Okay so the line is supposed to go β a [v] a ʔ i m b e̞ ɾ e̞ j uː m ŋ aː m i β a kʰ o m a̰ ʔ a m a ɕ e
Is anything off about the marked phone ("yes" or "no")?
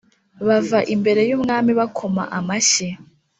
no